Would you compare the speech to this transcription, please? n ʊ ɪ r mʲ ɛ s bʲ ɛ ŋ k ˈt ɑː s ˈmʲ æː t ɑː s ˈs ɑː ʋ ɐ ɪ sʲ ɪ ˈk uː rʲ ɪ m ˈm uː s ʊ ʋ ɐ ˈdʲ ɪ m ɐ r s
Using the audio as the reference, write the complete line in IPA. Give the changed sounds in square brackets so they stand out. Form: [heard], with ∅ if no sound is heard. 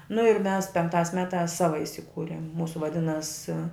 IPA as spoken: n ʊ ɪ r mʲ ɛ s [pʲ] ɛ ŋ k ˈt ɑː s ˈmʲ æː t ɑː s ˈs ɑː ʋ ɐ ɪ sʲ ɪ ˈk uː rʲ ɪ m ˈm uː s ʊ ʋ ɐ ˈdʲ ɪ [n] ɐ [∅] s